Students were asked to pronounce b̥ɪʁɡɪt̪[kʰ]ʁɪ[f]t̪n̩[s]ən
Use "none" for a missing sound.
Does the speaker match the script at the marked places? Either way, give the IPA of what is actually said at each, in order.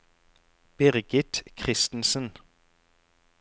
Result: kʰ, s, s

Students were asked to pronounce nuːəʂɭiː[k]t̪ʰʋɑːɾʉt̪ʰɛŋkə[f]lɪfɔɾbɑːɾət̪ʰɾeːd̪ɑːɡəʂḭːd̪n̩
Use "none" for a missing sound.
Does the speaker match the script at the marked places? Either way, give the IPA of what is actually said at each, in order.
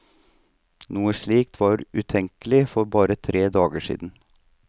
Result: k, none

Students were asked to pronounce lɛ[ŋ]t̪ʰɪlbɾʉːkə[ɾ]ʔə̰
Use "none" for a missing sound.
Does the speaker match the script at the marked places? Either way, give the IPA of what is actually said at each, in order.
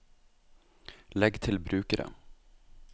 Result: ɡ, ɾ

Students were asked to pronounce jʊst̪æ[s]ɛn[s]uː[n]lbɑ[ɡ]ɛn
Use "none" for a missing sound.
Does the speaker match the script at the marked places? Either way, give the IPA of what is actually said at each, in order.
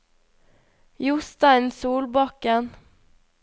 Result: none, s, none, k

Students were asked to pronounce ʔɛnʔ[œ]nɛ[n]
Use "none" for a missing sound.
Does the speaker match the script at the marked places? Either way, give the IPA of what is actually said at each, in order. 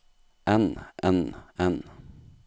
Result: ɛ, n

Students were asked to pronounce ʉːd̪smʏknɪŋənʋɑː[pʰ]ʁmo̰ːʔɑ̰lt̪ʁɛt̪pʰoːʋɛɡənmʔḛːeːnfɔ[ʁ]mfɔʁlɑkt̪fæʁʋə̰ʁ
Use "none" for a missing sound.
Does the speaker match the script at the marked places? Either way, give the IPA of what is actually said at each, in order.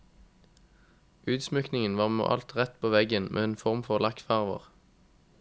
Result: none, ʁ

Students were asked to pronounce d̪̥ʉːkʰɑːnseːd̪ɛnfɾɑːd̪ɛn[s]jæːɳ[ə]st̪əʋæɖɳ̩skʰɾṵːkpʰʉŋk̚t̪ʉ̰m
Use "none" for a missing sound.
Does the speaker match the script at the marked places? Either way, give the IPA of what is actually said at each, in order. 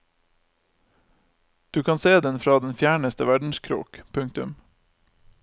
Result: f, ə

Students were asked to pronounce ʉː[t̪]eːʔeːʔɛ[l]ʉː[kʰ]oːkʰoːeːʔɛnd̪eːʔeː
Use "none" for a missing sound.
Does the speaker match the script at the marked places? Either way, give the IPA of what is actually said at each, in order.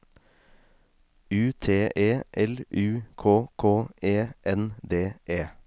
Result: t̪ʰ, l, kʰ

